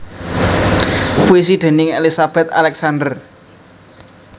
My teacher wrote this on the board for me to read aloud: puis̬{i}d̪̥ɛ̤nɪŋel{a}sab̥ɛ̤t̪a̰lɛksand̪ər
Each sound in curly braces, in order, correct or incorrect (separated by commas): correct, incorrect